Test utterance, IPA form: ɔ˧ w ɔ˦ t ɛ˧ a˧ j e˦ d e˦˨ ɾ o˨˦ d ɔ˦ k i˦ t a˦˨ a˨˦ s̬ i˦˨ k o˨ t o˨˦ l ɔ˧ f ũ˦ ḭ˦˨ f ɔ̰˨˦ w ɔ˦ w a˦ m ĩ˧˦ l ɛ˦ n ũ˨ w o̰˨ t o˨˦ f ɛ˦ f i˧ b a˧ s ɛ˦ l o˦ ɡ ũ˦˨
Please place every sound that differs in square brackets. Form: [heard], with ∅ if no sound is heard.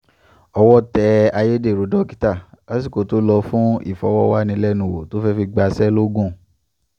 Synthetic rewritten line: ɔ˧ w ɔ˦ t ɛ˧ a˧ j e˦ d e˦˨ ɾ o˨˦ d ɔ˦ k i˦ t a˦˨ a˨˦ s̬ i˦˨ k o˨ t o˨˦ l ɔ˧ f ũ˦ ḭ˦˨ f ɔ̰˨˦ w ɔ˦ w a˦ [n] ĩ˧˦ l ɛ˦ n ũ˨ w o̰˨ t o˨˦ f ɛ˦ f i˧ [ɡ͡b] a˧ s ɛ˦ l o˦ ɡ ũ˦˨